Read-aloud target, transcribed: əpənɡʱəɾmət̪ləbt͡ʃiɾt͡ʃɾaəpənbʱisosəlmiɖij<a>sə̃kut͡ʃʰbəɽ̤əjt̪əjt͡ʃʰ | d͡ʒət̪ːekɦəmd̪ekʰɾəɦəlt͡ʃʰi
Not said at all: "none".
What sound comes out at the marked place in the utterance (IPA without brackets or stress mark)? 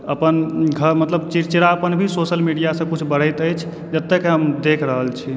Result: a